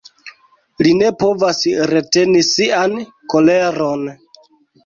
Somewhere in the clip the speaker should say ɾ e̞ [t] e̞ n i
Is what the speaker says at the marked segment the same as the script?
yes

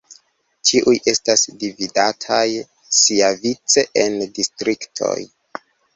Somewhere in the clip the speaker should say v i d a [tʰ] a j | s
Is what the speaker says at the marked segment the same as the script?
yes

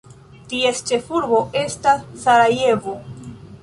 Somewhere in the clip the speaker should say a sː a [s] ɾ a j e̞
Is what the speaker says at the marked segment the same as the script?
no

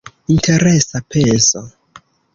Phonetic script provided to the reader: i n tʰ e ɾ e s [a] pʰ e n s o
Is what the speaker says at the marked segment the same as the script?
yes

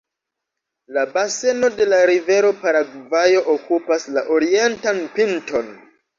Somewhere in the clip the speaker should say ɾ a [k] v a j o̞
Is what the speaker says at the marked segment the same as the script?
no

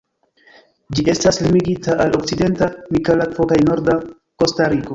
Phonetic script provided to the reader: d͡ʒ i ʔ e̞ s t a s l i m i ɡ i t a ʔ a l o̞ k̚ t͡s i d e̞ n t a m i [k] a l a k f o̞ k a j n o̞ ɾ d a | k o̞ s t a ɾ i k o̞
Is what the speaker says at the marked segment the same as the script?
yes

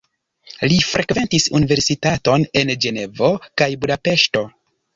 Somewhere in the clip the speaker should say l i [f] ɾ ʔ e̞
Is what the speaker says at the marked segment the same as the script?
yes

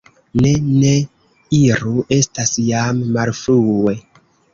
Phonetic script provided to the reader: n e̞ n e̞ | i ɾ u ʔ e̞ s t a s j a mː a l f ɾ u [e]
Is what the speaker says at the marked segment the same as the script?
yes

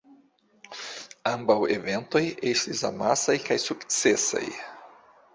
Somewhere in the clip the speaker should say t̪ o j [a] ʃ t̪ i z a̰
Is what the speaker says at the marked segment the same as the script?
no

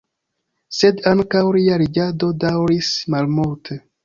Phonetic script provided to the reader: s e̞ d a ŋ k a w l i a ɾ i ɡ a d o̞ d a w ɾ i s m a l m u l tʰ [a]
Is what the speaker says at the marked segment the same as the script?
no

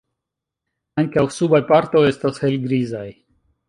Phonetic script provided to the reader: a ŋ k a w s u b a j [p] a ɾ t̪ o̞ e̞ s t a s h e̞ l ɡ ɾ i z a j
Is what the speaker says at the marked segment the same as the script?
yes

